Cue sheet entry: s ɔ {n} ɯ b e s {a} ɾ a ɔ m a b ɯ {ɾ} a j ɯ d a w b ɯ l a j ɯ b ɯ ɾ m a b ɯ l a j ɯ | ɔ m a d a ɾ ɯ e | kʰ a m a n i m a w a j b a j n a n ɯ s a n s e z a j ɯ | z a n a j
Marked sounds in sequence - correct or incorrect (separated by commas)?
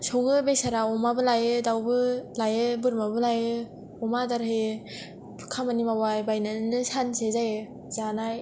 incorrect, correct, incorrect